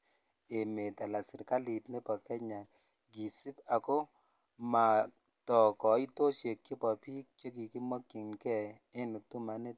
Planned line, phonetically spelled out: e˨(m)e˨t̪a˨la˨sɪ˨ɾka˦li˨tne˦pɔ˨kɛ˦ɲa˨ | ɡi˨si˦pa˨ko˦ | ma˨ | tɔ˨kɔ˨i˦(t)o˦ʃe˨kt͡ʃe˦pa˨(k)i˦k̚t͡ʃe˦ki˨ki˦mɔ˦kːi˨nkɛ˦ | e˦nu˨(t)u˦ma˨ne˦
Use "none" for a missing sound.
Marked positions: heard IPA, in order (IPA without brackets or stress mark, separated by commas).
m, t, p, t